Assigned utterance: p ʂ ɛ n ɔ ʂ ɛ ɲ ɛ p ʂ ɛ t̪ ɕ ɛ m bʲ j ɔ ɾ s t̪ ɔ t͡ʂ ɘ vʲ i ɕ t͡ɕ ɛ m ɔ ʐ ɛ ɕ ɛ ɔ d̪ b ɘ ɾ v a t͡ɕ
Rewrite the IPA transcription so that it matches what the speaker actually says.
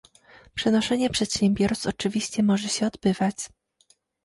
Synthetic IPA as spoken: p ʂ ɛ n ɔ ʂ ɛ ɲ ɛ p ʂ ɛ t̪ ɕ ɛ m bʲ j ɔ ɾ s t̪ ɔ t͡ʂ ɘ vʲ i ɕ t͡ɕ ɛ m ɔ ʐ ɛ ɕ ɛ ɔ d̪ b ɘ v a t͡ɕ